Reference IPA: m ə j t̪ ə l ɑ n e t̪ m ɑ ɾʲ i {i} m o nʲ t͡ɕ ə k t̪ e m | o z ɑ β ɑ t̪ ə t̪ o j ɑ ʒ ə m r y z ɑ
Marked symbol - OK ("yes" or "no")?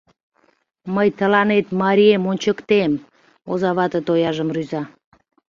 no